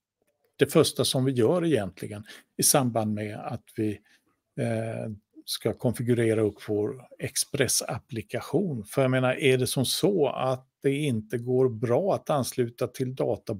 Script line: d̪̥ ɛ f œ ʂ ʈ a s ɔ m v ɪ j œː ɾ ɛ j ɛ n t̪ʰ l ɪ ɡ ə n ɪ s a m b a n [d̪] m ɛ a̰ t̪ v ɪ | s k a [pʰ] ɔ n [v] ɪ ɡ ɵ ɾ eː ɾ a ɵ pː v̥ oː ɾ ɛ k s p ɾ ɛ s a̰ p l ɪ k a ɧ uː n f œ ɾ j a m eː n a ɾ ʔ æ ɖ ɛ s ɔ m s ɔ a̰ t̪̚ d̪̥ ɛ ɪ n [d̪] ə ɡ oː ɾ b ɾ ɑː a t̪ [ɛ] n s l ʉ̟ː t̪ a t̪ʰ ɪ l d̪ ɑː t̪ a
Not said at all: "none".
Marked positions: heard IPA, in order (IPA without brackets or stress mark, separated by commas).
d̪, kʰ, f, t̪, a